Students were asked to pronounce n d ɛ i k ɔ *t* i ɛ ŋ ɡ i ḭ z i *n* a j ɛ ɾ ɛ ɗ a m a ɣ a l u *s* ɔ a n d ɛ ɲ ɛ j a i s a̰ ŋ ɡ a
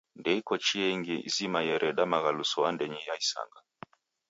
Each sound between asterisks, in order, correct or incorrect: incorrect, incorrect, correct

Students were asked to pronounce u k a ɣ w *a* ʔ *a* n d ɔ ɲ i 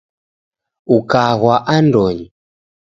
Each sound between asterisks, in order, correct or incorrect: correct, correct

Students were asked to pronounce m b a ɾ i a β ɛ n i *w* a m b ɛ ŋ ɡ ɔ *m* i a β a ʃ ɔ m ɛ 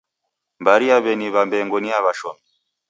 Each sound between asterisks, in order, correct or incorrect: incorrect, incorrect

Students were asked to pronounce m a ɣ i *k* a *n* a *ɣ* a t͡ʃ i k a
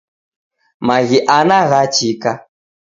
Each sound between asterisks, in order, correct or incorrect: incorrect, correct, correct

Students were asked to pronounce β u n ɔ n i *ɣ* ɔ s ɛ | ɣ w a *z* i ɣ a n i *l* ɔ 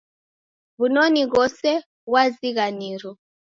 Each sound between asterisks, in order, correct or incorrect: correct, correct, incorrect

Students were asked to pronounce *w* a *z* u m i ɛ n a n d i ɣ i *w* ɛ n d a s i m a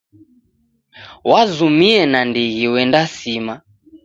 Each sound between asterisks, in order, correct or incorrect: correct, correct, correct

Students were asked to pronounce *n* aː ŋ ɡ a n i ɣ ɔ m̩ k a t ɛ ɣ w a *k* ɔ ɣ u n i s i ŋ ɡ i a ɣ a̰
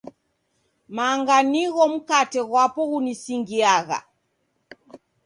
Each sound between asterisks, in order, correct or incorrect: incorrect, incorrect

